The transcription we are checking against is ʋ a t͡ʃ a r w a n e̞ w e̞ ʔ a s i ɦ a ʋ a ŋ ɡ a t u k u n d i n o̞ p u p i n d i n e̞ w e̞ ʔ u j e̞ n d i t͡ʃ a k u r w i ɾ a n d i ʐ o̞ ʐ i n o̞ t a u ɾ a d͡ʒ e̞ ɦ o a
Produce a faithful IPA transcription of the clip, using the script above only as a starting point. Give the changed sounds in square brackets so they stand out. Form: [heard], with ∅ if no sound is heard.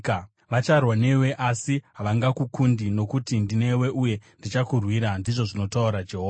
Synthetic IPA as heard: ʋ a t͡ʃ a r w a n e̞ w e̞ ʔ a s i ɦ a ʋ a ŋ ɡ a [k] u k u n d i n o̞ [k] u [t] i n d i n e̞ w e̞ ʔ u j e̞ n d i t͡ʃ a k u r w i ɾ a n d i ʐ o̞ ʐ i n o̞ t a u ɾ a d͡ʒ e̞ ɦ o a